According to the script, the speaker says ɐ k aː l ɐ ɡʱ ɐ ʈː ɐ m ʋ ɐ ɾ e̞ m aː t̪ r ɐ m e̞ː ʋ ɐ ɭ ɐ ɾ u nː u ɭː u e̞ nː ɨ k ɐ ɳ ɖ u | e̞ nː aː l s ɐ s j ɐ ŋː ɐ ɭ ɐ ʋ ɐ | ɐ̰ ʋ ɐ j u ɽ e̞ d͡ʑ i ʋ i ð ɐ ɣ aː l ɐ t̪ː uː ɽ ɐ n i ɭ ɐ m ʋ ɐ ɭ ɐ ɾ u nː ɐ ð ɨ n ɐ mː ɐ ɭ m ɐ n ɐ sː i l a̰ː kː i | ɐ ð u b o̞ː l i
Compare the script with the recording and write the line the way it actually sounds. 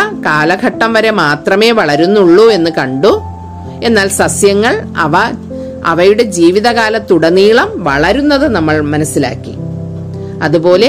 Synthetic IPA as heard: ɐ k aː l ɐ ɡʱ ɐ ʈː ɐ m ʋ ɐ ɾ e̞ m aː t̪ r ɐ m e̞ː ʋ ɐ ɭ ɐ ɾ u nː u ɭː u e̞ nː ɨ k ɐ ɳ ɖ u | e̞ nː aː l s ɐ s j ɐ ŋː ɐ ɭ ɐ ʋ ɐ | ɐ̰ ʋ ɐ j u ɽ e̞ d͡ʑ iː ʋ i ð ɐ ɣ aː l ɐ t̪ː u ɽ ɐ n iː ɭ ɐ m ʋ ɐ ɭ ɐ ɾ u nː ɐ ð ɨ n ɐ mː ɐ ɭ m ɐ n ɐ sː i l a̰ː kː i | ɐ ð u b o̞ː l e